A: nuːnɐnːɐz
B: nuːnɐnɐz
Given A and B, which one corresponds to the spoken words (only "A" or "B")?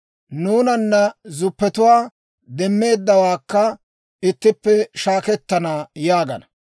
A